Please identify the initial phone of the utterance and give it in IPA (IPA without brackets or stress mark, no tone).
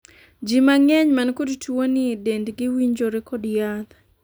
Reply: d͡ʒ